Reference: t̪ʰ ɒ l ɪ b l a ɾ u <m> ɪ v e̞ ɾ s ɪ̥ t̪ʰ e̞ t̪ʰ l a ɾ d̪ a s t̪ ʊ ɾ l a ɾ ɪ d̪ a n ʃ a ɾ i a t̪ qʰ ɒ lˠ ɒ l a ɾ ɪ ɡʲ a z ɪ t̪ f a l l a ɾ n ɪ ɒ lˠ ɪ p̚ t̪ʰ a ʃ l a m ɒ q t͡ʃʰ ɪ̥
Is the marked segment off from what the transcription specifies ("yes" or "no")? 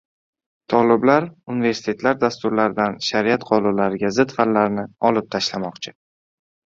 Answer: yes